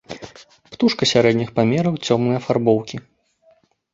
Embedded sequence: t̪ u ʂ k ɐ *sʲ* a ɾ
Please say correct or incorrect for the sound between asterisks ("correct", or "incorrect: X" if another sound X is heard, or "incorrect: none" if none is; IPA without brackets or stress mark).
correct